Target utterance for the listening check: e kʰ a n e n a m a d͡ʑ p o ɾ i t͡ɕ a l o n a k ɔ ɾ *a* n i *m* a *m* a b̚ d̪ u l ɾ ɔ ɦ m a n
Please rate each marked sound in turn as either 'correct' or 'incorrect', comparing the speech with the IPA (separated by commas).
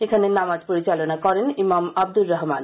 incorrect, correct, correct